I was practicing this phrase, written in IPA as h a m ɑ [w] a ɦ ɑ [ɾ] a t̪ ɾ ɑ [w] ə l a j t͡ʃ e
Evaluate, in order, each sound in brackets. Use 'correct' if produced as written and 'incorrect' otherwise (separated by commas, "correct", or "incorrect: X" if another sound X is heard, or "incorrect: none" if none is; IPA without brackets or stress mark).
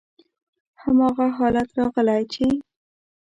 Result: incorrect: ɣ, incorrect: l, incorrect: ɣ